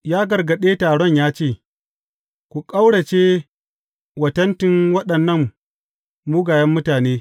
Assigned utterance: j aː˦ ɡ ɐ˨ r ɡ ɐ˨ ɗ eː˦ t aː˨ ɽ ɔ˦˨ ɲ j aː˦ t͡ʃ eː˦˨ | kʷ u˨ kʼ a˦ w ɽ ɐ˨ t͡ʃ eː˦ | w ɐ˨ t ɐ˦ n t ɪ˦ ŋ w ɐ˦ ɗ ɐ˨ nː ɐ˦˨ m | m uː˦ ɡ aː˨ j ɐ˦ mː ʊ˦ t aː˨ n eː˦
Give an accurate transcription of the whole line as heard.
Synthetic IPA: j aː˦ ɡ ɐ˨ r ɡ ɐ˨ ɗ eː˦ t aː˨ ɽ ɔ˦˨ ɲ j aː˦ t͡ʃ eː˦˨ | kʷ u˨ kʼ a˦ w ɽ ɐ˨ t͡ʃ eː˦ | w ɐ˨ t ɐ˦ n t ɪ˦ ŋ w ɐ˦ ɗ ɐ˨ nː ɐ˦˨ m | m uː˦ ɡ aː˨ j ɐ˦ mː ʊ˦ t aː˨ n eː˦